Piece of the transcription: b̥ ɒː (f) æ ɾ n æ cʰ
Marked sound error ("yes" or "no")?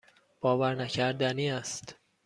yes